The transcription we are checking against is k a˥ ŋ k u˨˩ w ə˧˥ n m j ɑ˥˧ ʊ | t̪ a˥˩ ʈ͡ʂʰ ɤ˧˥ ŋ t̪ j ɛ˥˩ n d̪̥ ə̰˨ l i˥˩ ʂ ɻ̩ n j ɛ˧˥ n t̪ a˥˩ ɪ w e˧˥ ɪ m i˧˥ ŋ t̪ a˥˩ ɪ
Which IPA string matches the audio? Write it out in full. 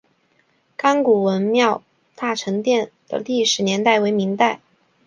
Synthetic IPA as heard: k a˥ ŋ k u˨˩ w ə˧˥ n m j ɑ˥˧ ʊ | t̪ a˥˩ ʈ͡ʂʰ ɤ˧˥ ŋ t̪ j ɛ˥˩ n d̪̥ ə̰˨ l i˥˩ ʂ ɻ̩ n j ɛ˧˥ n t̪ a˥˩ ɪ w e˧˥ ɪ m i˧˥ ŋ t̪ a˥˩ ɪ